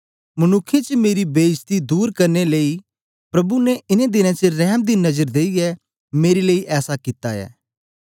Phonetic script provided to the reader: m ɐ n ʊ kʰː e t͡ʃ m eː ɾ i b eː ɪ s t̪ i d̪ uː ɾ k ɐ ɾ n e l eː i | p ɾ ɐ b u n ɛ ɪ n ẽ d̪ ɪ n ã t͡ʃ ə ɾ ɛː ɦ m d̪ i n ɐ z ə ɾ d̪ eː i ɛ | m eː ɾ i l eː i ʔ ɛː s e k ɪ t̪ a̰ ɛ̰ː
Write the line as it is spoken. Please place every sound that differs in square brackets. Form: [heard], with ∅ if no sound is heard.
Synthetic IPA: m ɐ n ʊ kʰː e t͡ʃ m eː ɾ i b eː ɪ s t̪ i d̪ uː ɾ k ɐ ɾ n e l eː i | p ɾ ɐ b u n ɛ ɪ n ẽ d̪ ɪ n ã t͡ʃ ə ɾ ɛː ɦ m d̪ i n ɐ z ə ɾ d̪ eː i ɛ | m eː ɾ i l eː i ʔ ɛː s [a] k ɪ t̪ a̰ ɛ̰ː